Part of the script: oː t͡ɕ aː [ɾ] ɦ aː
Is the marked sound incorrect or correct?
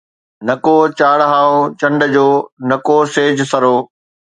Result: incorrect